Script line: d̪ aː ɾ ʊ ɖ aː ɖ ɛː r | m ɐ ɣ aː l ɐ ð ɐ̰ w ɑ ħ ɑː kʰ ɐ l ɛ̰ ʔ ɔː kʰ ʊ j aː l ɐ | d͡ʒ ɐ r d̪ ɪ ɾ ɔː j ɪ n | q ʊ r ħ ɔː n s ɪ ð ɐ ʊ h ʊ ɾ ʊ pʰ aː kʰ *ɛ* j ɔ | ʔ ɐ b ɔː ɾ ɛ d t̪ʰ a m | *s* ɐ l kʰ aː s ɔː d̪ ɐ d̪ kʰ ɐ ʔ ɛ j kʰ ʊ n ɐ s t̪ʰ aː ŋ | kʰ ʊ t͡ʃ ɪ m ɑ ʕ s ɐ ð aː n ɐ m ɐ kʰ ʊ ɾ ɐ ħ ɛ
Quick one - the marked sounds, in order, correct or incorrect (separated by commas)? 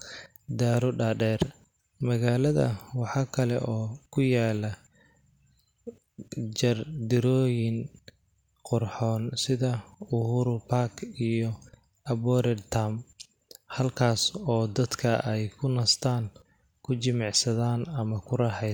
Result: incorrect, incorrect